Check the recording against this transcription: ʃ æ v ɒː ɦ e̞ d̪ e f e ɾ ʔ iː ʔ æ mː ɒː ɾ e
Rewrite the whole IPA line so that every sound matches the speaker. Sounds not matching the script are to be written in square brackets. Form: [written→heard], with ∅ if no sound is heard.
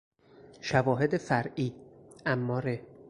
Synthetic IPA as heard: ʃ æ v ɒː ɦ e̞ d̪ e f [e→æ] ɾ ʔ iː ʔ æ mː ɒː ɾ e